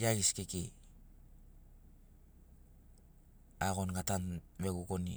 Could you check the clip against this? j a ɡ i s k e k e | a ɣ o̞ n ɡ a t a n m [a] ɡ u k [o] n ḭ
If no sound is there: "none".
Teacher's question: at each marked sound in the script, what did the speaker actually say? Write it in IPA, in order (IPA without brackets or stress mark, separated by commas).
e, o